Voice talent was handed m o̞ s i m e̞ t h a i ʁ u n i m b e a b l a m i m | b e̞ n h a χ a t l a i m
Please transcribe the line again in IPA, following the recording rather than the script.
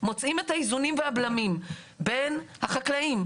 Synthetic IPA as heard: m o̞ t͡s i m e̞ t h a i z u n i m v e a b l a m i m | b e̞ n h a χ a k l a i m